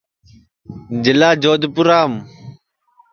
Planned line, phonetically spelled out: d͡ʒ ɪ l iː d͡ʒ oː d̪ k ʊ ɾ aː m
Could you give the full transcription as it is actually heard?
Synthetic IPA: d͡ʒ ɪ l aː d͡ʒ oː d̪ p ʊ ɾ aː m